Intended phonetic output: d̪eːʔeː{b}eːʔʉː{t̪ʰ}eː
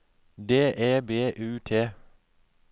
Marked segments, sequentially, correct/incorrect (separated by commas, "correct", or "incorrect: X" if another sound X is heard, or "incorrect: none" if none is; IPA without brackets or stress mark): correct, correct